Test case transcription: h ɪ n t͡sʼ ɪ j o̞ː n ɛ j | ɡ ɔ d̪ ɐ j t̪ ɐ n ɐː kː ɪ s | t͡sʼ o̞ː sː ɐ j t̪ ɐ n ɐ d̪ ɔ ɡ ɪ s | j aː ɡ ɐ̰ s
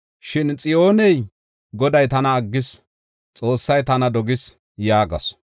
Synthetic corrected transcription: ʃ ɪ n t͡sʼ ɪ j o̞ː n ɛ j | ɡ ɔ d̪ ɐ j t̪ ɐ n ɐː ɡː ɪ s | t͡sʼ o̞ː sː ɐ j t̪ ɐ n ɐ d̪ ɔ ɡ ɪ s | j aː ɡ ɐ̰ s